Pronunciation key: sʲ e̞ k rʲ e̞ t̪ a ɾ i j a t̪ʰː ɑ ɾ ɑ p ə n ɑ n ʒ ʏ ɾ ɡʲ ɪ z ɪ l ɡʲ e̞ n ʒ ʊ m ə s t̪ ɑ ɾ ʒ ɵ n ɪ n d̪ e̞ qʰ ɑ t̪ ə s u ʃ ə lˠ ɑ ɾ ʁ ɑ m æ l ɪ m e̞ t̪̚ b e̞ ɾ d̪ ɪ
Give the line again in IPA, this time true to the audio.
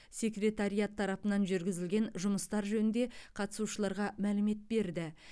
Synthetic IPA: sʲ e̞ k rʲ e̞ t̪ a ɾ i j a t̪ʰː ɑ ɾ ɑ p ə n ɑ n ʒ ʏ ɾ ɡʲ ɪ z ɪ l ɡʲ e̞ n ʒ ʊ m ə s t̪ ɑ ɾ ʒ ɵ n ɪ n d̪ e̞ qʰ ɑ t̪ ə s u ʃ ə lˠ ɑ ɾ ʁ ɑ m æ l ɪ m e̞ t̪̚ b e̞ ɾ d̪ ɪ

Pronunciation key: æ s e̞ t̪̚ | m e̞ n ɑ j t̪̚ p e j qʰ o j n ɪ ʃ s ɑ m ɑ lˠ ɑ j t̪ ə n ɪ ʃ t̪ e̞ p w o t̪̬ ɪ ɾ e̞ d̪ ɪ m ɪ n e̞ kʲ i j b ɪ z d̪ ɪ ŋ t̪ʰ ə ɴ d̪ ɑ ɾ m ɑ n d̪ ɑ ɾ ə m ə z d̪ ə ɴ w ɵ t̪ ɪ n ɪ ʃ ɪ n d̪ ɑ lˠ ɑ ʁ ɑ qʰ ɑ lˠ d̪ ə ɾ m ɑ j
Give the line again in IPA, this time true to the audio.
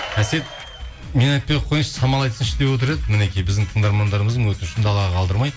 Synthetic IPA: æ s e̞ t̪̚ | m e̞ n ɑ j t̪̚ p e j qʰ o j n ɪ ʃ s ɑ m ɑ lˠ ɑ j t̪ ə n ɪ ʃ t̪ e̞ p w o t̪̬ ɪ ɾ e̞ d̪ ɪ m ɪ n e̞ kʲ i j b ɪ z d̪ ɪ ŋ t̪ʰ ə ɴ d̪ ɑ ɾ m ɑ n d̪ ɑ ɾ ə m ə z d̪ ə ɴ w ɵ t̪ ɪ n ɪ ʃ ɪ n d̪ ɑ lˠ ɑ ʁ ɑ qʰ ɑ lˠ d̪ ə ɾ m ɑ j

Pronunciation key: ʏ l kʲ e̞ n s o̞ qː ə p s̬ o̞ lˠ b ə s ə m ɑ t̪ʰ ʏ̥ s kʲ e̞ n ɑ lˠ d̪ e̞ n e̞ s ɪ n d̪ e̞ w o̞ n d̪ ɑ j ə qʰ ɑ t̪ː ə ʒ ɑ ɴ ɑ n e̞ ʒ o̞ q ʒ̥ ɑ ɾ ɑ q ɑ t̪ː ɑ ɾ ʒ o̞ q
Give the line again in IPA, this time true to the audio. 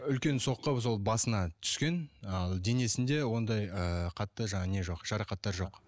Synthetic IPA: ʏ l kʲ e̞ n s o̞ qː ə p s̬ o̞ lˠ b ɑ s ə n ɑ t̪ʰ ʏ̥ s kʲ e̞ n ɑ lˠ d̪ e̞ n e̞ s ɪ n d̪ e̞ w o̞ n d̪ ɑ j ə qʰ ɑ t̪ː ə ʒ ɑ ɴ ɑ n e̞ ʒ o̞ q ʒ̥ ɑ ɾ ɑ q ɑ t̪ː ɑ ɾ ʒ o̞ q

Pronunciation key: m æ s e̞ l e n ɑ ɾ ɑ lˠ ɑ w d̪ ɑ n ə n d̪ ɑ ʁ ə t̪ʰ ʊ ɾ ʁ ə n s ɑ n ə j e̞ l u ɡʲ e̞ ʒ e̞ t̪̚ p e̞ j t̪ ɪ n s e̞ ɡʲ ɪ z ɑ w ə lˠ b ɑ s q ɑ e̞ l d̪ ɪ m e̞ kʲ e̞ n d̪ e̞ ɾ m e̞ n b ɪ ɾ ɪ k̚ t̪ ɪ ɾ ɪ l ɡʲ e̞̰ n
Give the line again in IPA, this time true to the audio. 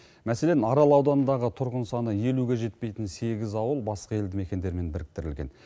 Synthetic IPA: m æ s e̞ l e n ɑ ɾ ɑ lˠ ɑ w d̪ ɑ n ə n d̪ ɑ ʁ ə t̪ʰ ʊ ɾ ʁ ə n s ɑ n ə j e̞ l u ɡʲ e̞ ʒ e̞ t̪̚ p e̞ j t̪ ɪ n s e̞ ɡʲ ɪ z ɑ w ə lˠ b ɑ s q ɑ e̞ l d̪ ɪ m e̞ kʲ e̞ n d̪ e̞ ɾ m e̞ n b ɪ ɾ ɪ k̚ t̪ ɪ ɾ ɪ l ɡʲ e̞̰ n

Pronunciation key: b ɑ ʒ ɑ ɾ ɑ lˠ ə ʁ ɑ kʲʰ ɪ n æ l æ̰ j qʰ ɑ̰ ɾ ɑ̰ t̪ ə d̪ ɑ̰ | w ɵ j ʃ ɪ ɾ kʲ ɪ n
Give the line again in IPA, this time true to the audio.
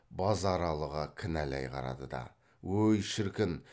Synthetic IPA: b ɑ z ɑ ɾ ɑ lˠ ə ʁ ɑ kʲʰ ɪ n æ l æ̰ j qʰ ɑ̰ ɾ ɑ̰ d̪ ə d̪ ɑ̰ | w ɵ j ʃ ɪ ɾ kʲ ɪ n

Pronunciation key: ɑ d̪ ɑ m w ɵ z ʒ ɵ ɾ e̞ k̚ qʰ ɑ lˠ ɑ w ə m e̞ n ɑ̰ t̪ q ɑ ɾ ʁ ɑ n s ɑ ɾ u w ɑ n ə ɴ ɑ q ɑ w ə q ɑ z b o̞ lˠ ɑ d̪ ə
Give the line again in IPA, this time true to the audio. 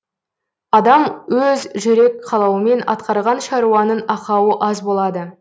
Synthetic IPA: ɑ d̪ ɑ m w ɵ z ʒ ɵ ɾ e̞ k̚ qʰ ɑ lˠ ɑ w ə m e̞ n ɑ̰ t̪ q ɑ ɾ ʁ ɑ n ʃ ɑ ɾ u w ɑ n ə n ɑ q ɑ w ə ʔ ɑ z b o̞ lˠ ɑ d̪ ə

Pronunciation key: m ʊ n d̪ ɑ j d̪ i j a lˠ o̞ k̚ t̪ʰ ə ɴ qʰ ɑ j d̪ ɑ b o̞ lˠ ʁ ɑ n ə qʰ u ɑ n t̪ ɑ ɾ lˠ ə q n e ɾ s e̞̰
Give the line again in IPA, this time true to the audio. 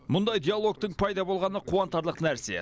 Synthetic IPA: m ʊ n d̪ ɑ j d̪ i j a lˠ o̞ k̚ t̪ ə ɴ pʰ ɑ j d̪ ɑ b o̞ lˠ ʁ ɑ n ə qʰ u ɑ n t̪ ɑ ɾ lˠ ə q n æ ɾ s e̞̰

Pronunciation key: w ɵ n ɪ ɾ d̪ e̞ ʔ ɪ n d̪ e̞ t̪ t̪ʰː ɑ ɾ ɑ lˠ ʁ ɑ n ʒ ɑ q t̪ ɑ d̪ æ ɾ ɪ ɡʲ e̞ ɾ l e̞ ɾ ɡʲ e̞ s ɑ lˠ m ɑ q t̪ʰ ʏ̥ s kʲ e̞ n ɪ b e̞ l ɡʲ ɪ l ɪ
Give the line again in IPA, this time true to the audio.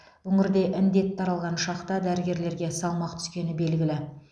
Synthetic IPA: w ɵ ŋ ɪ ɾ d̪ e̞ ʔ ɪ n d̪ e̞ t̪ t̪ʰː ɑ ɾ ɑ lˠ ʁ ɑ n ʃ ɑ q t̪ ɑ d̪ æ ɾ ɪ ɡʲ e̞ ɾ l e̞ ɾ ɡʲ e̞ s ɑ lˠ m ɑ q t̪ʰ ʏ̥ s kʲ e̞ n ɪ b e̞ l ɡʲ ɪ l ɪ

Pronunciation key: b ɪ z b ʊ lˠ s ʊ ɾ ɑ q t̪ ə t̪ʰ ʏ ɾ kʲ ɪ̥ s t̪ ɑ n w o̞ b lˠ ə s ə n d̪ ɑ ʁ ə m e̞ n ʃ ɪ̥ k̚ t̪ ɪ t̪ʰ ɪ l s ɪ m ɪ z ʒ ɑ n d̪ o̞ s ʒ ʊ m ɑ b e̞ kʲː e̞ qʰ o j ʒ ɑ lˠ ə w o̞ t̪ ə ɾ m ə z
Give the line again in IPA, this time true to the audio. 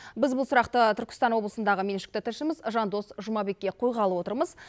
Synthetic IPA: b ɪ z b ʊ lˠ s ʊ ɾ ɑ q t̪ ə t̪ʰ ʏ ɾ kʲ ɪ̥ s t̪ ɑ n w o̞ b lˠ ə s ə n d̪ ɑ ʁ ə m e̞ n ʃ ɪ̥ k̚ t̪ ɪ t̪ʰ ɪ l ʃ ɪ m ɪ z ʒ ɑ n d̪ o̞ s ʒ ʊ m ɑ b e̞ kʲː e̞ qʰ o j ʁ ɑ lˠ ə w o̞ t̪ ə ɾ m ə z

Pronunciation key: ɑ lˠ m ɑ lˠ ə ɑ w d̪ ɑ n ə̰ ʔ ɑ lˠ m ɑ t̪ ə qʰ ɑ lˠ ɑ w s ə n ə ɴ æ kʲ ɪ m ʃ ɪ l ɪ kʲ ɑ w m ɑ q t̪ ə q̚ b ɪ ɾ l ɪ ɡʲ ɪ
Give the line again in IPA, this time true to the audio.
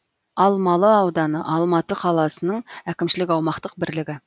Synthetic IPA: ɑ lˠ m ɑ lˠ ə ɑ w d̪ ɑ n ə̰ ʔ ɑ lˠ m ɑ t̪ ə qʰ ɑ lˠ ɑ s ə n ə ɴ æ kʲ ɪ m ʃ ɪ l ɪ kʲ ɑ w m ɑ q t̪ ə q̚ b ɪ ɾ l ɪ ɡʲ ɪ

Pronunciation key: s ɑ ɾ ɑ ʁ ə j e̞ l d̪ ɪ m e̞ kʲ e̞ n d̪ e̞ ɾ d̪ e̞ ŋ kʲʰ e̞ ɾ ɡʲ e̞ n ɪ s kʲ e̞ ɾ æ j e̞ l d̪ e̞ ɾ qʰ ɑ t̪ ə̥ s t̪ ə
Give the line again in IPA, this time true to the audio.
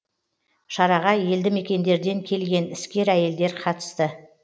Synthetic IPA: ʃ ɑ ɾ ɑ ʁ ɑ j e̞ l d̪ ɪ m e̞ kʲ e̞ n d̪ e̞ ɾ d̪ e̞ ŋ kʲʰ e̞ l ɡʲ e̞ n ɪ s kʲ e̞ ɾ æ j e̞ l d̪ e̞ ɾ qʰ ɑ t̪ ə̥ s t̪ ə

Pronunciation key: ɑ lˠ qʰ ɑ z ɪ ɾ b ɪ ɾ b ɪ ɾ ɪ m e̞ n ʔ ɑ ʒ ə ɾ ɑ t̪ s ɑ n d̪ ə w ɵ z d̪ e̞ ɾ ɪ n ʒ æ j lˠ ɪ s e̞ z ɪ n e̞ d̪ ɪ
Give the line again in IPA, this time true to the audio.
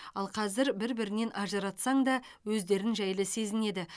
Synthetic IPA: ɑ lˠ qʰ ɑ z ɪ ɾ b ɪ ɾ b ɪ ɾ ɪ n e̞ n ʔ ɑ ʒ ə ɾ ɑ t̪ s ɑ ɴ d̪ ɑ w ɵ z d̪ e̞ ɾ ɪ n ʒ æ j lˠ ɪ s e̞ z ɪ n e̞ d̪ ɪ

